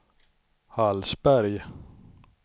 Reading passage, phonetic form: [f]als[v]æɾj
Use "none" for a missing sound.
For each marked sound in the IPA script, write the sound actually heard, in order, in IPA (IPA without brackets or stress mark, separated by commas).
h, b